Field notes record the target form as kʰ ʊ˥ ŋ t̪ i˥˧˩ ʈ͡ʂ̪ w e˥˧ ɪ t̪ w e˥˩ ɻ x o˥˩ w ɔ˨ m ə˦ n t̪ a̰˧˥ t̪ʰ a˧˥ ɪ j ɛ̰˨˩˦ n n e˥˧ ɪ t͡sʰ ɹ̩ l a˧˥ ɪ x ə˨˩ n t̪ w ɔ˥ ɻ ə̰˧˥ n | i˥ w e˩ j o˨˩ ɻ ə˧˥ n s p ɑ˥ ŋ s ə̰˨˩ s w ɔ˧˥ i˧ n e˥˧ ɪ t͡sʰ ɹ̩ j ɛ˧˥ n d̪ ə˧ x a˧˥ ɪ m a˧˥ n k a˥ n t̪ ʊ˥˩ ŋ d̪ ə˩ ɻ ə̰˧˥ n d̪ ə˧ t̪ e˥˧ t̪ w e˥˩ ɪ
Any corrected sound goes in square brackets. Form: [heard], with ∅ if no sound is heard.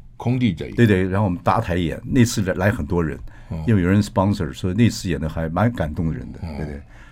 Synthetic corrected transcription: kʰ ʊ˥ ŋ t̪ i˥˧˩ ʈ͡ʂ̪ w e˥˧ ɪ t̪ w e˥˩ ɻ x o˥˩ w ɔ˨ m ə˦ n t̪ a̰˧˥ t̪ʰ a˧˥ ɪ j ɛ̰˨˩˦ n n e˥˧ ɪ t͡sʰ ɹ̩ l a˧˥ ɪ x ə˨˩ n t̪ w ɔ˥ ɻ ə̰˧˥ n | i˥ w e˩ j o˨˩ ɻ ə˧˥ n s p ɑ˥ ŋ s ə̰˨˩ s w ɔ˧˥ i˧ n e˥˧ ɪ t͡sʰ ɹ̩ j [ɛ˨˩] n d̪ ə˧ x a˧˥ ɪ m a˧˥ n k [a˨˩] n t̪ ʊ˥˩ ŋ d̪ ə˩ ɻ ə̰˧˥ n d̪ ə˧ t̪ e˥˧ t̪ w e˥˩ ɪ